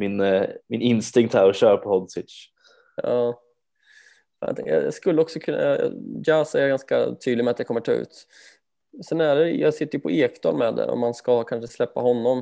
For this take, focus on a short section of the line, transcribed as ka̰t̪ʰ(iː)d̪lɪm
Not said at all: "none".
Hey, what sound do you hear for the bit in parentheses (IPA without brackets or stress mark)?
yː